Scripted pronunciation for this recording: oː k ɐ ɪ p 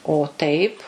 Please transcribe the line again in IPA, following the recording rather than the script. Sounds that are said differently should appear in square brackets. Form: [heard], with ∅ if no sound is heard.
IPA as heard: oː [t] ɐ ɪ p